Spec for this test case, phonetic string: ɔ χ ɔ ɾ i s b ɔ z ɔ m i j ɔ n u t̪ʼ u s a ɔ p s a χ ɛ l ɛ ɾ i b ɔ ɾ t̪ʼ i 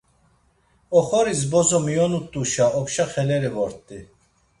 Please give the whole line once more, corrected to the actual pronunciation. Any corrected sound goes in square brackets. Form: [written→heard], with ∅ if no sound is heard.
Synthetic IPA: ɔ χ ɔ ɾ i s b ɔ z ɔ m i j ɔ n u t̪ʼ u [s→ʃ] a ɔ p [s→ʃ] a χ ɛ l ɛ ɾ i [b→v] ɔ ɾ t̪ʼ i